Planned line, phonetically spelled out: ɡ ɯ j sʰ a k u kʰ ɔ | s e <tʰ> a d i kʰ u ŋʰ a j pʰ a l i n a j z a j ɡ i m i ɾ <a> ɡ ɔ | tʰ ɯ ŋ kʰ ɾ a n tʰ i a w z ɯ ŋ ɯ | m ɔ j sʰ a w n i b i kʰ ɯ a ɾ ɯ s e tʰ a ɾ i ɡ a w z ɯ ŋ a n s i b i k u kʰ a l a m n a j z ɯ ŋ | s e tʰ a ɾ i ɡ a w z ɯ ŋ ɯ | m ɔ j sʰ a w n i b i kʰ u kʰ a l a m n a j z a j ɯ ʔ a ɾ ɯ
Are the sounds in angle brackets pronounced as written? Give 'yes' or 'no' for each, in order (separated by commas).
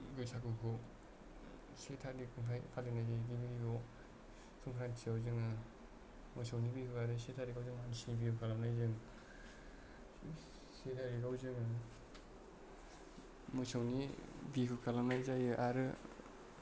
yes, no